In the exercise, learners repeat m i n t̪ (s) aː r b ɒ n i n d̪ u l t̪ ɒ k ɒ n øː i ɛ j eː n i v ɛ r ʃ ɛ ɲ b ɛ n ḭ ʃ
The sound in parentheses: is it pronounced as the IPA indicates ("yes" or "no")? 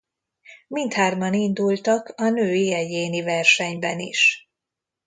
no